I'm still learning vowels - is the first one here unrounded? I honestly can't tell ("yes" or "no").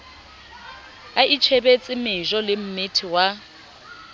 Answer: yes